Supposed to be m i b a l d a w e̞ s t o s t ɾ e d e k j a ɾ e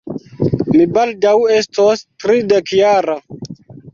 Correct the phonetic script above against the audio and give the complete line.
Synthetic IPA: m i b a l d a w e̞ s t o s t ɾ i d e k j a ɾ a